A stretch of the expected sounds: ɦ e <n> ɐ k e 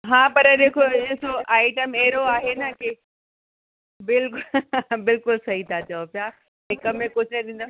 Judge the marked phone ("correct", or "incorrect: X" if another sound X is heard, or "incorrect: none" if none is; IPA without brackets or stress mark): correct